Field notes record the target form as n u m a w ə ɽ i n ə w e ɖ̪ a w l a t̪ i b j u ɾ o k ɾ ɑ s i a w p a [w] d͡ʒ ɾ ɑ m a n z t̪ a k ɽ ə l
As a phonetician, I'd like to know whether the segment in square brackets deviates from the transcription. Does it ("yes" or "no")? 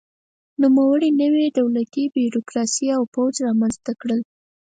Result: no